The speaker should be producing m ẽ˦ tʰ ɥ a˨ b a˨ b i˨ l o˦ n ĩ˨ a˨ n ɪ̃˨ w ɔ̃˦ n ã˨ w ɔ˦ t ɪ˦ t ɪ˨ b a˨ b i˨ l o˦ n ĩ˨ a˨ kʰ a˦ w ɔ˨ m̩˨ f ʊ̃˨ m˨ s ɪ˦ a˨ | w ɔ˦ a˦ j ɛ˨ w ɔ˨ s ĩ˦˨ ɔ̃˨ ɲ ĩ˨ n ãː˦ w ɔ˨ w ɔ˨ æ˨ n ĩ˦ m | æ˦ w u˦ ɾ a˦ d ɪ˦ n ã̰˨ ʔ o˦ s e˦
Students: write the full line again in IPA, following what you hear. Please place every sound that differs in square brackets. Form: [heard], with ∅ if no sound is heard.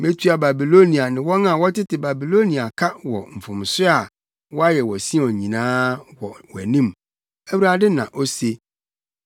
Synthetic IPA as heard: m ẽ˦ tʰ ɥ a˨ b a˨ b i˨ l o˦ n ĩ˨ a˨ n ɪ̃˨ w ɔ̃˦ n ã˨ w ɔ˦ t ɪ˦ t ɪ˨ b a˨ b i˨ l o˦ n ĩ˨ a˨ kʰ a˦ w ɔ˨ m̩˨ f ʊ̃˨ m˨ s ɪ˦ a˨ | w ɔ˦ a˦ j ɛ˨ w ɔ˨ s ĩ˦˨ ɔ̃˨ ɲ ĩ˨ n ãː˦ w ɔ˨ w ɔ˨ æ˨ n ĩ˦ m | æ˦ w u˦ ɾ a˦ d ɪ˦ n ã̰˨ ʔ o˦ s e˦